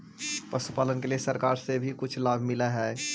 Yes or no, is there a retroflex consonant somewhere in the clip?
no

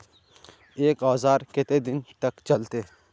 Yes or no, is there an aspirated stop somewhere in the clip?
no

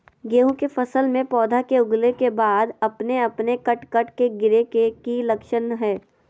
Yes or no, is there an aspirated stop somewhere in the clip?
no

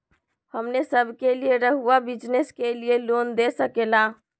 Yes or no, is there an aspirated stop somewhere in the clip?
no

